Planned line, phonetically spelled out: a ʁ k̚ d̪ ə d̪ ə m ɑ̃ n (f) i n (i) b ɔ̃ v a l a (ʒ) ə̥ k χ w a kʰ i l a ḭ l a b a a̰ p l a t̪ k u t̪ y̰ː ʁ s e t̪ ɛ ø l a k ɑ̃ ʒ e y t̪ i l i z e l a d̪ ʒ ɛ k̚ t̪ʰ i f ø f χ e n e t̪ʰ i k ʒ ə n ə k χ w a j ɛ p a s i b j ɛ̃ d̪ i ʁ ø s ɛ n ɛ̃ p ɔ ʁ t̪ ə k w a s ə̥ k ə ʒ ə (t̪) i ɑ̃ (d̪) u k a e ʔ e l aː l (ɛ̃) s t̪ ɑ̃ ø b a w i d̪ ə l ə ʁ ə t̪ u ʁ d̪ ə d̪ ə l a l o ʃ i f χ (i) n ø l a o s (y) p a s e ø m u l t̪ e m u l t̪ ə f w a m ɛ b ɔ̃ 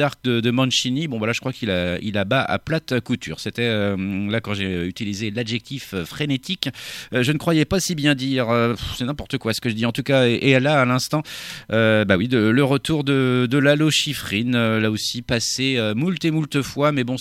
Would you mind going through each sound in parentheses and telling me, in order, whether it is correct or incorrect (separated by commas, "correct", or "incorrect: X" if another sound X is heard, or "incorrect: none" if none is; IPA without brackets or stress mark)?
incorrect: ʃ, correct, correct, incorrect: d̪, incorrect: t̪, correct, correct, incorrect: i